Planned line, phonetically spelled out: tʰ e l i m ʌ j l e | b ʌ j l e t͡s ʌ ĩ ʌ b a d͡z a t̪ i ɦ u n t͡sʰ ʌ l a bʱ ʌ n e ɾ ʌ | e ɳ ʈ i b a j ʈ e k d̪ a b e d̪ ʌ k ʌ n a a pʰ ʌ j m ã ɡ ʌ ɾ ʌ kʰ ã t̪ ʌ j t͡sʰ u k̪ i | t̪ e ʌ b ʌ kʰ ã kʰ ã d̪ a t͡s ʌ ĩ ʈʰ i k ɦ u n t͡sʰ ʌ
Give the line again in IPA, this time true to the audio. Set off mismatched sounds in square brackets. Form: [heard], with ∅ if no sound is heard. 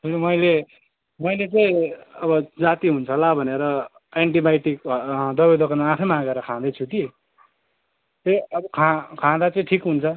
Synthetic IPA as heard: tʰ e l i m ʌ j l e | [m] ʌ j l e t͡s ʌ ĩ ʌ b [ʌ] d͡z a t̪ i ɦ u n t͡sʰ ʌ l a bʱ ʌ n e ɾ ʌ | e ɳ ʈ i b a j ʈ [i] k d̪ [ʌ] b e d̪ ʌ k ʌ n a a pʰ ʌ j m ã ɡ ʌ ɾ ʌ kʰ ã [d̪] ʌ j t͡sʰ u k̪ i | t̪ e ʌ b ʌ kʰ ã kʰ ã d̪ a t͡s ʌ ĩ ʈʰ i k ɦ u n t͡sʰ ʌ

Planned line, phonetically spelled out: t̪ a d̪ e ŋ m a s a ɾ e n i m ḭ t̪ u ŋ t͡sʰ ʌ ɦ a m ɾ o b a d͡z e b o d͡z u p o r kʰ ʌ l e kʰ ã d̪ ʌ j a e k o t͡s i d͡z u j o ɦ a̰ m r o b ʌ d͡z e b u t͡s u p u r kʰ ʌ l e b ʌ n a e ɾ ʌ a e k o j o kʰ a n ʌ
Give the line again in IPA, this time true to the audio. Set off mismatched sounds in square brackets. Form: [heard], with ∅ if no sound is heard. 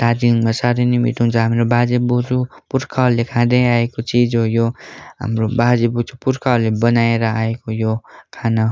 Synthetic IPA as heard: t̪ a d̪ [i] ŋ m a s a ɾ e n i m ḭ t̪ u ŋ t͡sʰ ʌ ɦ a m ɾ o b a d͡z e b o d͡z u p [u] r kʰ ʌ l e kʰ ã d̪ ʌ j a e k o t͡s i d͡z [o] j o ɦ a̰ m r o b [a] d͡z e b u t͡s u p u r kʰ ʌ l e b ʌ n a e ɾ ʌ a e k o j o kʰ a n ʌ

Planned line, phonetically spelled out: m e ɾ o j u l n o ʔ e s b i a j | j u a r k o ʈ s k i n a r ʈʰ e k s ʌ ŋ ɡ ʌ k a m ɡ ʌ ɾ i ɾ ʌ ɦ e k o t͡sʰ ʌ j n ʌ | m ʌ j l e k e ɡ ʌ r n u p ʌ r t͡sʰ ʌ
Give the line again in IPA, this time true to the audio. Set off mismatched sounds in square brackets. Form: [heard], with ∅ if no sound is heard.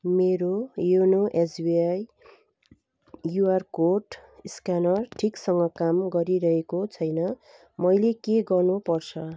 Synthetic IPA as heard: m e ɾ o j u [∅] n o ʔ e s b i a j | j u a r k o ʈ s k [a] n [ʌ] r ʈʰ [i] k s ʌ ŋ ɡ ʌ k a m ɡ ʌ ɾ i ɾ ʌ ɦ e k o t͡sʰ ʌ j n ʌ | m ʌ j l e k e ɡ ʌ r n u p ʌ r t͡sʰ ʌ

